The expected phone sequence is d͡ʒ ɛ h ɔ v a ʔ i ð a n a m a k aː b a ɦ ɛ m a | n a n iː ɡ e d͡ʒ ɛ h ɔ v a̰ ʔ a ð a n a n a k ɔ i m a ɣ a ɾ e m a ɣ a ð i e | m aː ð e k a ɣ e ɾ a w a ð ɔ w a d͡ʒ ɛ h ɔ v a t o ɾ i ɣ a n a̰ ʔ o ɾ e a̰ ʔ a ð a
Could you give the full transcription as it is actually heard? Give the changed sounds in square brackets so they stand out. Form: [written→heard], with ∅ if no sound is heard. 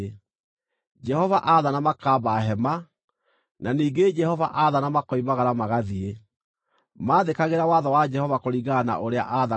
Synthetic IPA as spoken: d͡ʒ ɛ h ɔ v a ʔ [i→a] ð a n a m a k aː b a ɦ ɛ m a | n a n iː ɡ e d͡ʒ ɛ h ɔ v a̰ ʔ a ð a n a [n→m] a k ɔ i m a ɣ a ɾ [e→a] m a ɣ a ð i e | m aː ð e k a ɣ e ɾ a w a ð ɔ w a d͡ʒ ɛ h ɔ v a [t→k] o ɾ i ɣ a n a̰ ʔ o ɾ e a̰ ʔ a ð a

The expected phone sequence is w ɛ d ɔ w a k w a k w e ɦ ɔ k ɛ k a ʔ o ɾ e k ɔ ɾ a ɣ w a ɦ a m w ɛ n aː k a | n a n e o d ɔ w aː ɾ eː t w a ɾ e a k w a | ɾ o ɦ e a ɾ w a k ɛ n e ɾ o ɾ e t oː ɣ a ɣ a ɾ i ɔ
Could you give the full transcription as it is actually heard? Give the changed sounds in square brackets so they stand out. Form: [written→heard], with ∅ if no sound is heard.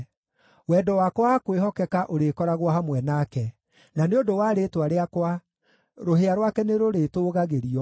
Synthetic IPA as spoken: w ɛ d ɔ w a k w a k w e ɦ ɔ k ɛ k a ʔ o ɾ e k ɔ ɾ a ɣ w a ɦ a m w ɛ n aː k [a→ɛ] | n a n e o d [ɔ→o] w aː ɾ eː t w a ɾ e a k w a | ɾ o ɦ e a ɾ w a k ɛ n e ɾ o ɾ e t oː ɣ a ɣ [a→e] ɾ i ɔ

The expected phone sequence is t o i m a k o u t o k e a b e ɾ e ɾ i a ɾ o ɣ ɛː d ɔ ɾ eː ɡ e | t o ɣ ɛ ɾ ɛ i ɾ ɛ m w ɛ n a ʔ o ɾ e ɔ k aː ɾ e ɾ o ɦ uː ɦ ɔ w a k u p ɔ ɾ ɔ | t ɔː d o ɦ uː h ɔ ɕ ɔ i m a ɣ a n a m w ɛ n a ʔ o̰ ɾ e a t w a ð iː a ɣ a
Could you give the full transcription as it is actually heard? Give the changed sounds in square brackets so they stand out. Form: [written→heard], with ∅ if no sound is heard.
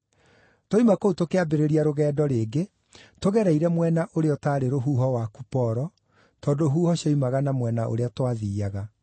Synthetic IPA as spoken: t o i m a k o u t o k e a b e ɾ e ɾ i a ɾ o ɣ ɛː d ɔ ɾ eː ɡ e | t o ɣ ɛ ɾ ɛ i ɾ ɛ m w ɛ n a ʔ o ɾ e ɔ [k→t] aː ɾ e ɾ o ɦ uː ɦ ɔ w a k u p ɔ ɾ ɔ | t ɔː d o ɦ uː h ɔ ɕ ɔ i m a ɣ a n a m w ɛ n a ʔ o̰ ɾ e a t w a ð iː a ɣ a

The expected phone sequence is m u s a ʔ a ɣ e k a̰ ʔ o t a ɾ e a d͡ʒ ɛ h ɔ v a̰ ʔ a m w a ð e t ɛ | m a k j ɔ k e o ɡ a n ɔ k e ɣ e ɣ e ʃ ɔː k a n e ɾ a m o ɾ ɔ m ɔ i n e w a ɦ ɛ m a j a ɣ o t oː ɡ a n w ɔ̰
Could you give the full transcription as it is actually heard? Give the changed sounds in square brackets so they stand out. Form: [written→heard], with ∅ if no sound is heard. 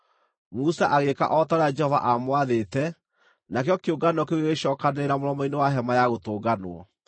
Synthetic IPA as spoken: m u s a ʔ a ɣ e k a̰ ʔ [o→ɔ] t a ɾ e a d͡ʒ ɛ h ɔ v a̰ ʔ a m w a ð e t ɛ | [m→n] a k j ɔ k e o ɡ a n ɔ k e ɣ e ɣ e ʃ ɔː k a n e ɾ a m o ɾ ɔ m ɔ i n e w a ɦ ɛ m a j a ɣ o t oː ɡ a n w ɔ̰

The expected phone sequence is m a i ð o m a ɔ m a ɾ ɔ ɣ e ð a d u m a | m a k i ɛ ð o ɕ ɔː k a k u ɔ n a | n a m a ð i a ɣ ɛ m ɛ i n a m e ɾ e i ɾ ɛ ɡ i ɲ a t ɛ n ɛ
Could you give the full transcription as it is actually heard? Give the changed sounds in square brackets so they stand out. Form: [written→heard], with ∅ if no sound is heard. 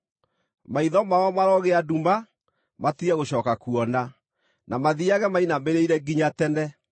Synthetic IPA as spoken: m a i ð [o→ɔ] m a ɔ m a ɾ ɔ ɣ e [ð→∅] a d u m a | m a [k→t] i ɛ [ð→ɣ] o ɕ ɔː k a k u ɔ n a | n a m a ð i a ɣ ɛ m [ɛ→a] i n a m e ɾ e i ɾ ɛ ɡ i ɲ a t ɛ n ɛ

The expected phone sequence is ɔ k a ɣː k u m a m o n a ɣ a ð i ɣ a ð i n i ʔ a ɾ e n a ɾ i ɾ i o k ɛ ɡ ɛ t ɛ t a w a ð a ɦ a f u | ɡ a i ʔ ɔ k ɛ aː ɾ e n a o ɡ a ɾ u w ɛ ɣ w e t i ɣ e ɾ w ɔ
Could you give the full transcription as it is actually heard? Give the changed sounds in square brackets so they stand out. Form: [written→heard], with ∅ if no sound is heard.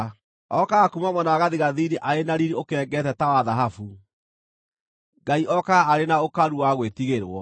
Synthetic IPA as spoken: ɔ k a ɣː k u m a m [o→ɔ] n a ɣ a ð i ɣ a ð i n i ʔ a ɾ e n a ɾ i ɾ i o k ɛ ɡ ɛ t ɛ t a w a ð a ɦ a f u | ɡ a i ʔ ɔ k [ɛ→a] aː ɾ e n a o [ɡ→k] a ɾ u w [ɛ→a] ɣ w e t i ɣ e ɾ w ɔ

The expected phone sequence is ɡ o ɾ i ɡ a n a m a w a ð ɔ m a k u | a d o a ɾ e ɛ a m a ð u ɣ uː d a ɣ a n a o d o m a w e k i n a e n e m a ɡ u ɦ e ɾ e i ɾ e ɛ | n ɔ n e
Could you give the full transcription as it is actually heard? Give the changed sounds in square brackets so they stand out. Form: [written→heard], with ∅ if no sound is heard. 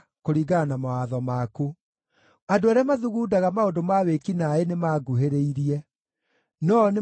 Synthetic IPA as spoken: [ɡ→k] o ɾ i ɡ a n a m a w a ð ɔ m a k u | a d o a ɾ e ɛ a m a ð u ɣ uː d a ɣ a [n→m] a o d o m a w e k i n a e n e m a ɡ u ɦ e ɾ e i ɾ [e→i] ɛ | n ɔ n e

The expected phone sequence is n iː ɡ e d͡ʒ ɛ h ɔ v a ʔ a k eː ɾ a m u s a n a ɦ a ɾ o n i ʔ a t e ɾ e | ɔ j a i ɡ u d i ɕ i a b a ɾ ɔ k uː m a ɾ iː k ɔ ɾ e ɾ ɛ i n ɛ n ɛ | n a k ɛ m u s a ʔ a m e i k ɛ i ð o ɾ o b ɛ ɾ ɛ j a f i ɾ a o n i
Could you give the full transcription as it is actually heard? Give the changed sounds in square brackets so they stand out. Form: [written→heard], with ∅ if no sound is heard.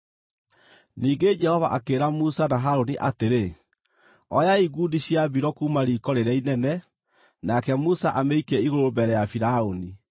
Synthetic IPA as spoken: n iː ɡ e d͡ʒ ɛ h ɔ v a ʔ a k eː ɾ a m u s a n a ɦ a ɾ o n i ʔ a t e ɾ e | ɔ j a i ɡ u d i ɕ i a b [a→i] ɾ ɔ k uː m a ɾ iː k ɔ ɾ e ɾ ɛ i n ɛ n ɛ | n a k ɛ m u s a ʔ a m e i k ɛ i [ð→ɣ] o ɾ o b ɛ ɾ ɛ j a f i ɾ a o n i

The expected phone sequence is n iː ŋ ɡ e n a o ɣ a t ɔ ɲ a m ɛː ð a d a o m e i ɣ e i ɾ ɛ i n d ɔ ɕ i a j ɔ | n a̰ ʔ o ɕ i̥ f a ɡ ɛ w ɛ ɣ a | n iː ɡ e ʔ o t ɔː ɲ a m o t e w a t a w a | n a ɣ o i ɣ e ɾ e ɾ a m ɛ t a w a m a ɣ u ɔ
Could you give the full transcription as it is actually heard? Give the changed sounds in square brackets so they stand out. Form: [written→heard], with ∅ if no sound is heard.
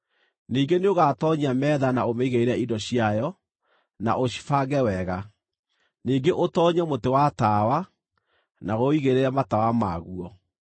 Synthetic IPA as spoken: n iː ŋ ɡ e n [a→e] o ɣ a t ɔ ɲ a m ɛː ð a [d→n] a o m e i ɣ e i ɾ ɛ i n d ɔ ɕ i a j ɔ | n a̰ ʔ o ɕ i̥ f a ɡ ɛ w ɛ ɣ a | n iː ɡ e ʔ o t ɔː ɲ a m o t e w a t a w a | n a ɣ o i ɣ e ɾ e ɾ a m [ɛ→a] t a w a m a ɣ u ɔ

